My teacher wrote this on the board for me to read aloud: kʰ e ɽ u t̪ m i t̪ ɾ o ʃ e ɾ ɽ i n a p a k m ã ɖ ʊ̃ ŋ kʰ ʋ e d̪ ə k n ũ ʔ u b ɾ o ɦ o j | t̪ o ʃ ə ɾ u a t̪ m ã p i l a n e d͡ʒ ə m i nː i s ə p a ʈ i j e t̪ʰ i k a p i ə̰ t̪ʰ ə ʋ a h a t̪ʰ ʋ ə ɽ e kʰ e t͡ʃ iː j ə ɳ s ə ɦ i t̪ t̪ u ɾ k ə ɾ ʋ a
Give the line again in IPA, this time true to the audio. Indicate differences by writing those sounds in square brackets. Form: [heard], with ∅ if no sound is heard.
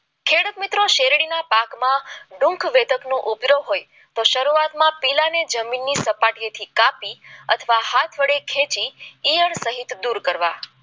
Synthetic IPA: kʰ e ɽ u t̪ m i t̪ ɾ o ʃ e ɾ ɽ i n a p a k m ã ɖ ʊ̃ ŋ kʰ ʋ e d̪ ə k n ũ ʔ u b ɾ o ɦ o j | t̪ o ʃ ə ɾ u a t̪ m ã p i l a n e d͡ʒ ə m i nː i s ə p a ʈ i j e t̪ʰ i k a p i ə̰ t̪ʰ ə ʋ a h a t̪ʰ ʋ ə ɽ e kʰ e t͡ʃ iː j ə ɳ s ə ɦ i t̪ [d̪] u ɾ k ə ɾ ʋ a

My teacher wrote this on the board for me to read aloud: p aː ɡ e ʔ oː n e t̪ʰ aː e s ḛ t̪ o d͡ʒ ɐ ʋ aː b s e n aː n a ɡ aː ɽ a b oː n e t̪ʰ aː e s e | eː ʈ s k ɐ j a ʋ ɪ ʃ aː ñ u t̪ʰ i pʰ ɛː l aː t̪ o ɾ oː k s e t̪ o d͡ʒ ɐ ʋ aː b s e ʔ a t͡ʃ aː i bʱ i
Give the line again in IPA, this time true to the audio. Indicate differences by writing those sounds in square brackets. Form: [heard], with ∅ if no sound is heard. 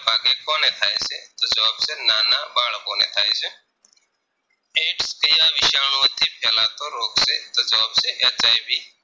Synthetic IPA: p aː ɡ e [k] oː n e t̪ʰ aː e s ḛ t̪ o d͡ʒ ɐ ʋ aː b s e n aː n a [b] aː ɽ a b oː n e t̪ʰ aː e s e | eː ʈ s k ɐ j a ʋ ɪ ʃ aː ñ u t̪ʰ i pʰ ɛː l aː t̪ o ɾ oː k s e t̪ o d͡ʒ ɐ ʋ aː b s e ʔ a t͡ʃ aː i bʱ i

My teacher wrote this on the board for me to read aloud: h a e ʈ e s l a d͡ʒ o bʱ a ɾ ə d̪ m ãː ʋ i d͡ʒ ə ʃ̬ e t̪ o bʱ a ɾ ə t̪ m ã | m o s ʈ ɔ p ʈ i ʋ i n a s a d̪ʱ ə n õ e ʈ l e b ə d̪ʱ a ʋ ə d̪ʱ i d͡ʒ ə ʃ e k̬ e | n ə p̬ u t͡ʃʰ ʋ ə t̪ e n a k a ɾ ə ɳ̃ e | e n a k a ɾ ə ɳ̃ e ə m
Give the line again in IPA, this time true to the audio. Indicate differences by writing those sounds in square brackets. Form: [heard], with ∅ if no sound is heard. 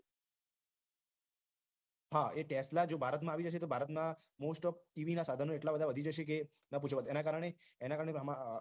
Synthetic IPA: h a e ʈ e s l a d͡ʒ o bʱ a ɾ ə [t̪] m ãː ʋ i d͡ʒ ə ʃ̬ e t̪ o bʱ a ɾ ə t̪ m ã | m o s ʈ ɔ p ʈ i ʋ i n a s a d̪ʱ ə n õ e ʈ l [a] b ə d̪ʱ a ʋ ə d̪ʱ i d͡ʒ ə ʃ e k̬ e | n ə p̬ u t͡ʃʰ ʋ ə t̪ e n a k a ɾ ə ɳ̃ e | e n a k a ɾ ə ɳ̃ e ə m

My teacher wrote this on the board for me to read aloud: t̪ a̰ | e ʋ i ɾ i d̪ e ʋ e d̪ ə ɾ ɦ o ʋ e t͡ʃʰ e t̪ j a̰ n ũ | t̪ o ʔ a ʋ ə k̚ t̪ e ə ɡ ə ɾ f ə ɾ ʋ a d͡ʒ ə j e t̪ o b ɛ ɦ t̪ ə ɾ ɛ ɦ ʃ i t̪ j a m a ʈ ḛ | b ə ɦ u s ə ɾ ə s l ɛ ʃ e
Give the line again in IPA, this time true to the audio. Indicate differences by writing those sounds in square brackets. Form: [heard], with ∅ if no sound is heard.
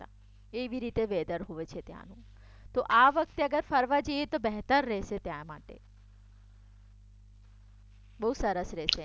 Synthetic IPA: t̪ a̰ | e ʋ i ɾ i [t̪] e ʋ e d̪ ə ɾ ɦ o ʋ e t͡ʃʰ e t̪ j a̰ n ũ | t̪ o ʔ a ʋ ə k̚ t̪ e ə ɡ ə ɾ f ə ɾ ʋ a d͡ʒ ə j e t̪ o b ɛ ɦ t̪ ə [ɾː] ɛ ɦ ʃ [e] t̪ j a m a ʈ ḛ | b ə ɦ u s ə ɾ ə s [ɾ] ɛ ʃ e

